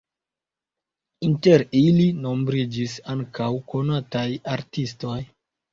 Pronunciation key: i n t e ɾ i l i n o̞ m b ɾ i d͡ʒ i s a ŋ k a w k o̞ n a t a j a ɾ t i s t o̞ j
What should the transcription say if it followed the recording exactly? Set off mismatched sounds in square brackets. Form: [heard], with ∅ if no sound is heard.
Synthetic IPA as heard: i n t e ɾ i l i n o̞ m b ɾ i d͡ʒ i s a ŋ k a w k o̞ n a t a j a ɾ t i s t o̞ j